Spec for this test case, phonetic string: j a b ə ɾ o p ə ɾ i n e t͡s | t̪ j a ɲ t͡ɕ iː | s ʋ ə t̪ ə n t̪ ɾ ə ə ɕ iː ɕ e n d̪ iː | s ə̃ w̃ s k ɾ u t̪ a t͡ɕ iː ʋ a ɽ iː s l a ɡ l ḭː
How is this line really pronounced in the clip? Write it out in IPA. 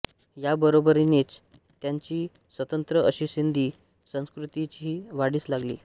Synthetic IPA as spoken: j a b ə ɾ o b ə ɾ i n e t͡s | t̪ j a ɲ t͡ɕ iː | s ʋ ə t̪ ə n t̪ ɾ ə ə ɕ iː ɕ i n d̪ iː | s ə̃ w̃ s k ɾ u t̪ i t͡ɕ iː ʋ a ɽ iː s l a ɡ l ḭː